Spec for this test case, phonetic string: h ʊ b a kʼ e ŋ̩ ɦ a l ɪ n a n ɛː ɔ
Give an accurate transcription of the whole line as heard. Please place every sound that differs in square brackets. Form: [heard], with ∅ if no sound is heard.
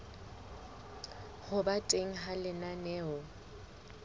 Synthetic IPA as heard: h ʊ b a [tʼ] e ŋ̩ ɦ a l ɪ n a n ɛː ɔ

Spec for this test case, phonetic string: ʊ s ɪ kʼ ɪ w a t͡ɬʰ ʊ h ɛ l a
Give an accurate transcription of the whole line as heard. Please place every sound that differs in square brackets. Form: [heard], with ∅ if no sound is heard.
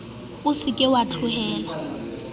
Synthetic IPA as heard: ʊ s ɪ kʼ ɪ w a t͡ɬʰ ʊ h [ɛː] l a

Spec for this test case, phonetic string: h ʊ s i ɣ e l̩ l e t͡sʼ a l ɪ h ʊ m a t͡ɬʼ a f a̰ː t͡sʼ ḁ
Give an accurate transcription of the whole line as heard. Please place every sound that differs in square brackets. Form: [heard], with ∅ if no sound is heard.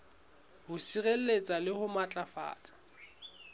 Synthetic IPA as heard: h ʊ s i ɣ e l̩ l e t͡sʼ a l ɪ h ʊ m a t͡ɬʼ a f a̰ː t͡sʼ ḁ

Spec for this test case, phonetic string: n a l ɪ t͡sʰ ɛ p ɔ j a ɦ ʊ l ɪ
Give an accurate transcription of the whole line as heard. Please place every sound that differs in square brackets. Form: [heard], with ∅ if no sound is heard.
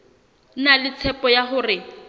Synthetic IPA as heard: n a l ɪ t͡sʰ ɛ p ɔ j a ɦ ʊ [r] ɪ

